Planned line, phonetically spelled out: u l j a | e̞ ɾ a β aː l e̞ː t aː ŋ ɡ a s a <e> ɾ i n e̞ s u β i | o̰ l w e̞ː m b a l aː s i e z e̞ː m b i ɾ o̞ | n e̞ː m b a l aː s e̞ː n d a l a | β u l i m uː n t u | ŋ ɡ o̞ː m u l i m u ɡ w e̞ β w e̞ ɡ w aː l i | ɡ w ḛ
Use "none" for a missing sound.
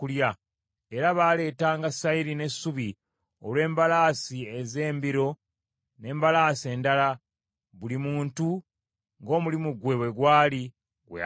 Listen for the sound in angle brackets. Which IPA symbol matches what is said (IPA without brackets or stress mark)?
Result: i